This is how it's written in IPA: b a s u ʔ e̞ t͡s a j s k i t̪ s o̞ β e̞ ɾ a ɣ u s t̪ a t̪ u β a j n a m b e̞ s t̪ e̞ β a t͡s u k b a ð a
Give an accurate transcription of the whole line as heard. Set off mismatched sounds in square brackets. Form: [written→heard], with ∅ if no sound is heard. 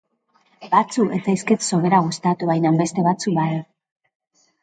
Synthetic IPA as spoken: b a [s→t͡s] u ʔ e̞ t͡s a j s k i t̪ s o̞ β e̞ ɾ a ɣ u s t̪ a t̪ u β a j n a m b e̞ s t̪ e̞ β a t͡s u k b a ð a